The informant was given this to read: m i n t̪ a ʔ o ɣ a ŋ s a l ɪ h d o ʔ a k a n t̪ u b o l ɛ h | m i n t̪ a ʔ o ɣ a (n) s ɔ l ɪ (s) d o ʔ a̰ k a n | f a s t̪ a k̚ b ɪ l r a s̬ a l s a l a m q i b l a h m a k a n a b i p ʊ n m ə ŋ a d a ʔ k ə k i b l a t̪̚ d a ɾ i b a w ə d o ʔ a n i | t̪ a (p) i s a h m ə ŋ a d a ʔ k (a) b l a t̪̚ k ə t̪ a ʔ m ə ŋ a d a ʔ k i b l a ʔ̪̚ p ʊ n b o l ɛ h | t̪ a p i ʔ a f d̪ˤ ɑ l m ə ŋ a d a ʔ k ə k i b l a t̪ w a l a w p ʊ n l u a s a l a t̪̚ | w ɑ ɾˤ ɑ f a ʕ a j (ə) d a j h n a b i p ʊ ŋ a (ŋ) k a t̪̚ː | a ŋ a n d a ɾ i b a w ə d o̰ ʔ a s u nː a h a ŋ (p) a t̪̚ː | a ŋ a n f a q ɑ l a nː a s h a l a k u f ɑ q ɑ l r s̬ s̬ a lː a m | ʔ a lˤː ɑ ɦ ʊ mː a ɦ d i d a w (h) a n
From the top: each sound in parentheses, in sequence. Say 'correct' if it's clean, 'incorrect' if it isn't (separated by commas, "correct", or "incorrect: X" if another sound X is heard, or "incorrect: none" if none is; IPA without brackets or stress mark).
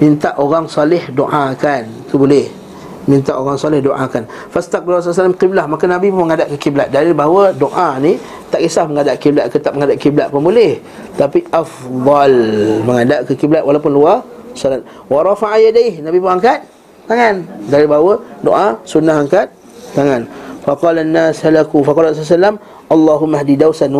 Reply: incorrect: ŋ, incorrect: h, incorrect: ʔ, incorrect: i, incorrect: a, correct, incorrect: k, incorrect: s